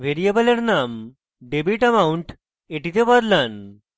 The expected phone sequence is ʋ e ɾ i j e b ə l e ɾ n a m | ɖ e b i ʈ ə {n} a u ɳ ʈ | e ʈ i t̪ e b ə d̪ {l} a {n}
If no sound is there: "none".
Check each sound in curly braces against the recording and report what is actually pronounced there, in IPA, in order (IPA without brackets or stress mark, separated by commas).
m, l, n